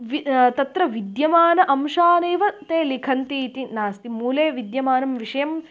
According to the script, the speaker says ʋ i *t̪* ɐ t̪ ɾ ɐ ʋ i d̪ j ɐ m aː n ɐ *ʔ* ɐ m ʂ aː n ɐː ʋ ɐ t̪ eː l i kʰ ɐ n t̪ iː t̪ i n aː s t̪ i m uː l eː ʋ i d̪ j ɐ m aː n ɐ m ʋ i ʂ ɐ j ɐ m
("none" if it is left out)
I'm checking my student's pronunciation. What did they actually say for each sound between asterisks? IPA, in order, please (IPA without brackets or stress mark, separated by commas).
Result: t̪, ʔ